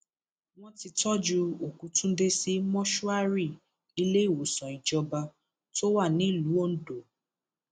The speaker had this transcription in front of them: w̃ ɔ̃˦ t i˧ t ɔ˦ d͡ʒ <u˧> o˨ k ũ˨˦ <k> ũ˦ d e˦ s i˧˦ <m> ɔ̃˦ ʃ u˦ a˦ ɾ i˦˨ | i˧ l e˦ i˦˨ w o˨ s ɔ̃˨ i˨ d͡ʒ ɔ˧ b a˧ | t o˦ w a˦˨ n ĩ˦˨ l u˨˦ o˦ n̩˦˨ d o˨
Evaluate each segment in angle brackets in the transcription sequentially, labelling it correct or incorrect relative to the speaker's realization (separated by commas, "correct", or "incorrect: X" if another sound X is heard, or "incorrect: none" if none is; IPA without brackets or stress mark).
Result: correct, incorrect: t, correct